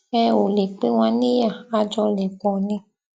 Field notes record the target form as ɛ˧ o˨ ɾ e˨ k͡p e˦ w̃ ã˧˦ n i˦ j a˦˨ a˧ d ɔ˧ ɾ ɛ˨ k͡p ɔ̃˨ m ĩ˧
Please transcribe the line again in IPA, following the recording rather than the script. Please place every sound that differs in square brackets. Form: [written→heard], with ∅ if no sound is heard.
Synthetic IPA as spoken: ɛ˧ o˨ [ɾ→l] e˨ k͡p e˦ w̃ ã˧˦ n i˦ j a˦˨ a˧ [d→d͡ʒ] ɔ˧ [ɾ→l] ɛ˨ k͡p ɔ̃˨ [m→n] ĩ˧